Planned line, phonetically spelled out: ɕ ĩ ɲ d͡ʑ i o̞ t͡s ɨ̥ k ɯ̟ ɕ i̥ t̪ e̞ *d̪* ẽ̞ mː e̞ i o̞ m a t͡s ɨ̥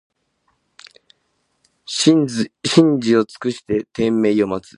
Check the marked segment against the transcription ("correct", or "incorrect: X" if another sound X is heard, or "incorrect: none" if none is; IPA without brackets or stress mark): incorrect: t̪